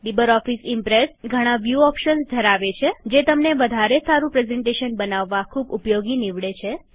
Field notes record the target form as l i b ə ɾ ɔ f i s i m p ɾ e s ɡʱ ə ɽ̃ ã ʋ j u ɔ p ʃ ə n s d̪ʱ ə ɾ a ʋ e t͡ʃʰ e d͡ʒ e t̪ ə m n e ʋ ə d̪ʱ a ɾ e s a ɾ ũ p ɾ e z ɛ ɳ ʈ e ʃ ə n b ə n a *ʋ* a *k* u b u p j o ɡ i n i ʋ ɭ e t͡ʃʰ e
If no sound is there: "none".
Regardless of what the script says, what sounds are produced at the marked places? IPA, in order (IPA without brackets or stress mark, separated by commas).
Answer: ʋː, kʰ